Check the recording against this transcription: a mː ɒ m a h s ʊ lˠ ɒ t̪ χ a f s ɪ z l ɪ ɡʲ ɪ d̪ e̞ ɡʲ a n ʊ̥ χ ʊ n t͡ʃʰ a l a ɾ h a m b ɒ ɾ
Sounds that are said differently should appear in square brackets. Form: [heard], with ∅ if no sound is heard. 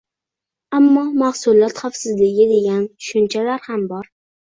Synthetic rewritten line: a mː ɒ m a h s ʊ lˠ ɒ t̪ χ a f s ɪ z l ɪ ɡʲ ɪ d̪ e̞ ɡʲ a n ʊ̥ [ʃ] ʊ n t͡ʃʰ a l a ɾ h a m b ɒ ɾ